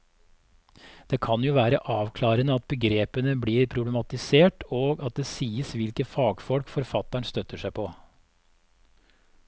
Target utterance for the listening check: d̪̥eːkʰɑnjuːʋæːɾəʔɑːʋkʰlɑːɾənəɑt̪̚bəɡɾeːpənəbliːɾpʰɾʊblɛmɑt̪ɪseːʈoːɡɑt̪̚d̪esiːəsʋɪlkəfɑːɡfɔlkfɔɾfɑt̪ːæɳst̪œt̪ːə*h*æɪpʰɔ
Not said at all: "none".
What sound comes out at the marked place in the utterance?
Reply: ʂ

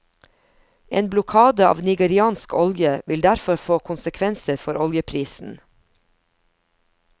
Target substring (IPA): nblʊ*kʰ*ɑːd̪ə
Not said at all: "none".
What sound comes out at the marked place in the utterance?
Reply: kʰ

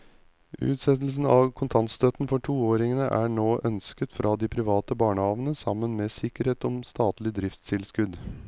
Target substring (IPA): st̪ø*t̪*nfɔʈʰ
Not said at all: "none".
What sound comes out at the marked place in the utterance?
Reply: t̪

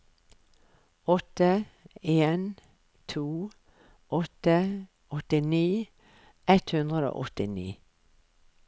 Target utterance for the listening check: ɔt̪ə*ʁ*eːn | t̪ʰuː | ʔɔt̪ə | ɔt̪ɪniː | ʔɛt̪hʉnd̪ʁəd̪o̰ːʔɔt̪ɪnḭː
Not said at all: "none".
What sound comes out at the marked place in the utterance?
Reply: none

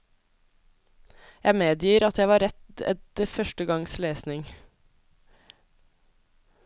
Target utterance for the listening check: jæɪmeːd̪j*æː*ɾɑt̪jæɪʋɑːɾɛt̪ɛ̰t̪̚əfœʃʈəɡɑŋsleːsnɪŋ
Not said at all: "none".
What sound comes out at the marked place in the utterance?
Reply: iː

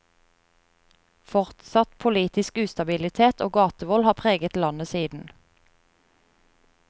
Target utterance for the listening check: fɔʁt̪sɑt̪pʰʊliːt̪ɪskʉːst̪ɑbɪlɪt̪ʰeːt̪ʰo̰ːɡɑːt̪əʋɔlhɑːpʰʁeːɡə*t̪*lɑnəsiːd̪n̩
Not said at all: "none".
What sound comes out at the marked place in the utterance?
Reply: t̪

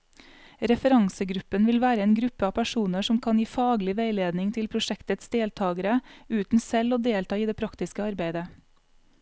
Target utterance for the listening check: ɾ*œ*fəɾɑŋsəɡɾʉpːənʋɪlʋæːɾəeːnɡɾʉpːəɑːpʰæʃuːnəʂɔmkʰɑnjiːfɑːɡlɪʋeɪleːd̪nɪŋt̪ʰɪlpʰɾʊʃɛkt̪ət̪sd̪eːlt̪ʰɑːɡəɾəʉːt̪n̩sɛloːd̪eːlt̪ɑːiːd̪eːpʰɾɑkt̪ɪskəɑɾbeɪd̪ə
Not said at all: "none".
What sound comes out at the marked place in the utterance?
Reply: ɛ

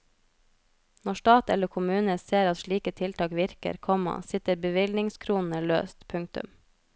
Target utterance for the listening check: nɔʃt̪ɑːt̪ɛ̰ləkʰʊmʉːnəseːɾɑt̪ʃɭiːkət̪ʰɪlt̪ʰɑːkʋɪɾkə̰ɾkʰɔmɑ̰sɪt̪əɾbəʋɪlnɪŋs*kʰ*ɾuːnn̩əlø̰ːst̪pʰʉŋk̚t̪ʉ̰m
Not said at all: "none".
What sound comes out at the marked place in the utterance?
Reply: kʰ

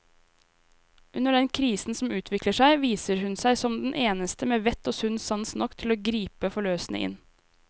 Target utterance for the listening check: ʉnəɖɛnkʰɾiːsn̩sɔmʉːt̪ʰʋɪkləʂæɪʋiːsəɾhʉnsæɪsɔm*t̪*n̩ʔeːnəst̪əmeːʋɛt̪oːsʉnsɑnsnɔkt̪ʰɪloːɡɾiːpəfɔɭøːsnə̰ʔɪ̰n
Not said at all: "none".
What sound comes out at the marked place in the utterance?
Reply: d̪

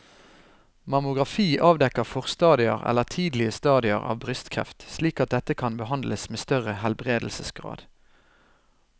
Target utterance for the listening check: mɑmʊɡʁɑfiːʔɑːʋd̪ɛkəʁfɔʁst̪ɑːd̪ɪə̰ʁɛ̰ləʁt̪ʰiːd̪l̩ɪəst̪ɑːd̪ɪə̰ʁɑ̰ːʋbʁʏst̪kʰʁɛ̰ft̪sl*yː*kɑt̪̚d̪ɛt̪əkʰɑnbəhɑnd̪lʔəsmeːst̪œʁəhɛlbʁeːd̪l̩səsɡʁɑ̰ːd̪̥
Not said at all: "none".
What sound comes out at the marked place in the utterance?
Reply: iː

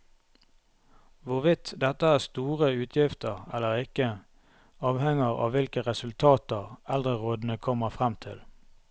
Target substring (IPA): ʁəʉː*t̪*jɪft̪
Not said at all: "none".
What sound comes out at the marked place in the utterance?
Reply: t̪ʰ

